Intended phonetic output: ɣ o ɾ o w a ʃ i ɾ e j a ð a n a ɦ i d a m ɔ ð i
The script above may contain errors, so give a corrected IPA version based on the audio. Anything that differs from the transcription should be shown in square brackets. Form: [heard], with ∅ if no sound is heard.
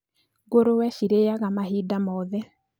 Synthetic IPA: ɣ o ɾ o w [ɛ] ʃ i ɾ e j a [ɣ] a [m] a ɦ i d a m ɔ ð [ɛ]